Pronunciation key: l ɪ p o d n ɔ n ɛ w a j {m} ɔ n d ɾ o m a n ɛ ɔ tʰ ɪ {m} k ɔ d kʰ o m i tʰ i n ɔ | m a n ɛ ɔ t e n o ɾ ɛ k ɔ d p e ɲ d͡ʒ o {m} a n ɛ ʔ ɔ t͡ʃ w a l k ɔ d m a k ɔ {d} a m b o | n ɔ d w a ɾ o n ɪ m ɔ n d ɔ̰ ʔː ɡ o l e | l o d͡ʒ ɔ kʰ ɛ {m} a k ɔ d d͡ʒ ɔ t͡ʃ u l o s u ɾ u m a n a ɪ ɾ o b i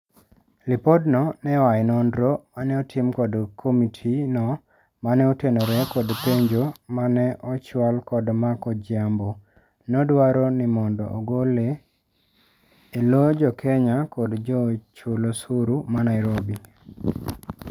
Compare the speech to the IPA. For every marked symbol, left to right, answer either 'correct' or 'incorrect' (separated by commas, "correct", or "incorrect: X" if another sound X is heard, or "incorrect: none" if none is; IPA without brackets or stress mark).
incorrect: n, correct, correct, incorrect: d͡ʒ, incorrect: ɲ